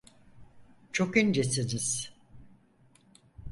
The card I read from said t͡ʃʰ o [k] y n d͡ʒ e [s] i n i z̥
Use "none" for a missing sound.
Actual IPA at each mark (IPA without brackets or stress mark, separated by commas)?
k, s